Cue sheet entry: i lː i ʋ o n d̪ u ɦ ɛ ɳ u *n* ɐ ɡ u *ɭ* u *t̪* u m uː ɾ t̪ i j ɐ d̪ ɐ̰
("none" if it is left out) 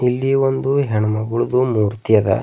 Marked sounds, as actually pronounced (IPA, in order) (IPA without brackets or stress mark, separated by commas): m, ɭ, d̪